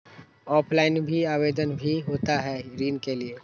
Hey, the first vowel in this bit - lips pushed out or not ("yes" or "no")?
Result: yes